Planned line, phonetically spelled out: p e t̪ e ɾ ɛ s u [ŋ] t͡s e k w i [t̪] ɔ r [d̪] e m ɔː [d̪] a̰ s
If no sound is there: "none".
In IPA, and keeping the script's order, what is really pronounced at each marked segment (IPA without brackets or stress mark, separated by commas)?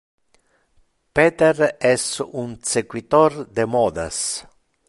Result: n, t̪, d̪, d̪